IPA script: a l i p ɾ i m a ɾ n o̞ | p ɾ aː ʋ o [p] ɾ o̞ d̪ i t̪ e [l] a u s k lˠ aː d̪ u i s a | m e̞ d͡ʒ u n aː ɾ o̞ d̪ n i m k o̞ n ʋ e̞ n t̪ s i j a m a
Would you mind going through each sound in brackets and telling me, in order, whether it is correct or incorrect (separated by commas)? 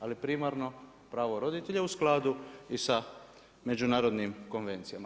incorrect, incorrect